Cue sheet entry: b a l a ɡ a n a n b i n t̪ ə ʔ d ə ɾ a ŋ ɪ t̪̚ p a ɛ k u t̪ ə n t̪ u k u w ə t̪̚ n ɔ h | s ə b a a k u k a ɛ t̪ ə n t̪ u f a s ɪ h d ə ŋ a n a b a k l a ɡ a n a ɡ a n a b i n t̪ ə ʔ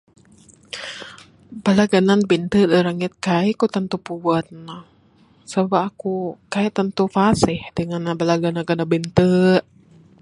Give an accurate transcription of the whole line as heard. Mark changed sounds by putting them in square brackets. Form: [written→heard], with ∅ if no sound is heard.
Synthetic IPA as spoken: b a l a ɡ a n a n b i n t̪ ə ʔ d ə ɾ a ŋ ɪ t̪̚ [p→k] a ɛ k u t̪ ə n t̪ u [k→p] u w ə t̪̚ n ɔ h | s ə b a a k u k a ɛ t̪ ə n t̪ u f a s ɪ h d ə ŋ a n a b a [k→∅] l a ɡ a n a ɡ a n a b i n t̪ ə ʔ